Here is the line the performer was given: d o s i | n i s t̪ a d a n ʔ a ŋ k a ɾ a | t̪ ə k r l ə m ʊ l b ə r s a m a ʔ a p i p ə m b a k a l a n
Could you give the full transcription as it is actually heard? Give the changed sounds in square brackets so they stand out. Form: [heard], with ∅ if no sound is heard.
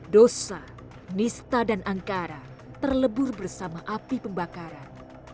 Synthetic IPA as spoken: d o s [a] | n i s t̪ a d a n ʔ a ŋ k a ɾ a | t̪ ə [∅] r l ə [b] ʊ [r] b ə r s a m a ʔ a p i p ə m b a k a [ɾ] a n